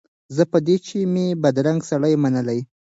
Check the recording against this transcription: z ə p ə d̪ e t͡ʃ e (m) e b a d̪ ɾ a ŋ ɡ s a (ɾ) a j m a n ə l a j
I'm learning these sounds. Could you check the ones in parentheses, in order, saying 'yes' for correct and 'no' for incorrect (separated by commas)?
yes, no